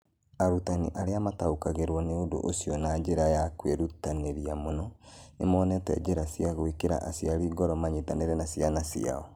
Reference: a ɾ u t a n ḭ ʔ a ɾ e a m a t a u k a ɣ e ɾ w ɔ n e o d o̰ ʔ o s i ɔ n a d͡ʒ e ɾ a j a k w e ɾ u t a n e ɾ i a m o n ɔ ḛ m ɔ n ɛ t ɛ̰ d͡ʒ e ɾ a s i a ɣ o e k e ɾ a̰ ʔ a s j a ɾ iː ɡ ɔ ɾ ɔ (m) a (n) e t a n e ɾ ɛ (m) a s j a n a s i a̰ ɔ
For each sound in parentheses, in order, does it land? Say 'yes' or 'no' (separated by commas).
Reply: yes, no, no